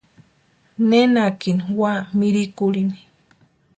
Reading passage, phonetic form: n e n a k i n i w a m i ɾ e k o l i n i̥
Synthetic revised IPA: n e n a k i n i w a m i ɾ i k u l i n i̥